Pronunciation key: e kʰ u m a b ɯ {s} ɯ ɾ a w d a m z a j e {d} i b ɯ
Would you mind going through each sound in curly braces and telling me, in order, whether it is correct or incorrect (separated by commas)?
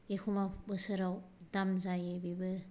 correct, incorrect